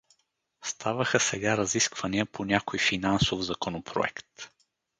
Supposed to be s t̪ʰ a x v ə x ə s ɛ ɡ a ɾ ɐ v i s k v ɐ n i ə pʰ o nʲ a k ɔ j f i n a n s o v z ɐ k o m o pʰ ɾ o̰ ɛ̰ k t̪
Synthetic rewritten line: s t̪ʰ a v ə x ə s ɛ ɡ a ɾ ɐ z i s k v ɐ n i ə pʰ o nʲ a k o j f i n a n s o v z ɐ k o n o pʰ ɾ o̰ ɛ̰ k t̪